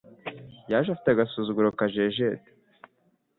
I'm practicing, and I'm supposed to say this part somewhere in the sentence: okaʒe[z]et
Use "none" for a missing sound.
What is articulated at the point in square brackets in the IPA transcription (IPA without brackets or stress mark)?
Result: ʒ